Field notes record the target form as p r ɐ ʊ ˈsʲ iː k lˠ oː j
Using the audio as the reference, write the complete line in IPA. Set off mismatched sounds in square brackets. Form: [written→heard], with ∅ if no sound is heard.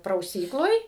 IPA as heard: p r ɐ ʊ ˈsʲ iː k lˠ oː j